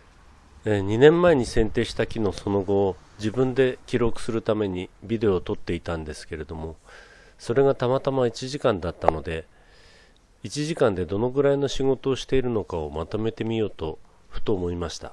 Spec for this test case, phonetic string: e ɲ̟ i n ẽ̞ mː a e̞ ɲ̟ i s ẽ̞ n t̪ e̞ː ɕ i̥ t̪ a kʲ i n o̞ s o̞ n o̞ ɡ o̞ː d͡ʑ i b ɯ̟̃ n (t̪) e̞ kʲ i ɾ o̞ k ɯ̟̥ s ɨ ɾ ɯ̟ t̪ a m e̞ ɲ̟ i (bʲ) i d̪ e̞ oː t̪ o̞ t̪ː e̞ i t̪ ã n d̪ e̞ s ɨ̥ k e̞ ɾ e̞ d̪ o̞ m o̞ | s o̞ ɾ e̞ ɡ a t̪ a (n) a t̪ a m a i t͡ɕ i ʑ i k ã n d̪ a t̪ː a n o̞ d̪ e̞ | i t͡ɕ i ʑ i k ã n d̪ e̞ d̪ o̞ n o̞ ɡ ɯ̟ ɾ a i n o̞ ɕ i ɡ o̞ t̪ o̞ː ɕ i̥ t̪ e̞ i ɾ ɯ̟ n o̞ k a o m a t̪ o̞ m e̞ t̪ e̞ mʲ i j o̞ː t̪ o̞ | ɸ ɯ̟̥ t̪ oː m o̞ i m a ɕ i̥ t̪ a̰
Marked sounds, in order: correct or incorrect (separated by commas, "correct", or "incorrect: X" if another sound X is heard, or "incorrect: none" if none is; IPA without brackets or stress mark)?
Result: incorrect: d̪, correct, incorrect: m